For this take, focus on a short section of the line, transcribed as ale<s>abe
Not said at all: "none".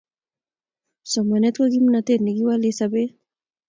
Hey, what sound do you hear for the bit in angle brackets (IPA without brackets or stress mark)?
s